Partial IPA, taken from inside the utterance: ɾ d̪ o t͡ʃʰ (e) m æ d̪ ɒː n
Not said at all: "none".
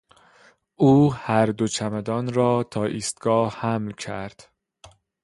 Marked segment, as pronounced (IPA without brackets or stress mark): æ